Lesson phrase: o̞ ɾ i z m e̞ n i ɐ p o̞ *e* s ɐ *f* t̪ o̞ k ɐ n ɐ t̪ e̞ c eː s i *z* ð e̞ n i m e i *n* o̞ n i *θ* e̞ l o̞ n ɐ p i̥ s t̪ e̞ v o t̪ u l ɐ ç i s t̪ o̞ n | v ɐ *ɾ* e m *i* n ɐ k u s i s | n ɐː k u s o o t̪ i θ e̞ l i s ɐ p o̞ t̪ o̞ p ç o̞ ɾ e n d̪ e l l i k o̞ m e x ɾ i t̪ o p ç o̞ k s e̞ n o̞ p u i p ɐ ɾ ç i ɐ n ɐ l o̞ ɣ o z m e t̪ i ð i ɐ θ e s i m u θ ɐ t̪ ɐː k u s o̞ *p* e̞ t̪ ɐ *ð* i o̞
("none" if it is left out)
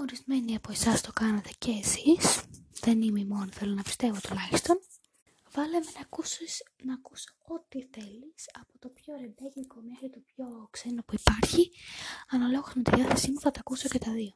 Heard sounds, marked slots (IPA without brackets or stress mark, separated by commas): e, s, s, m, θ, l, e, c, ð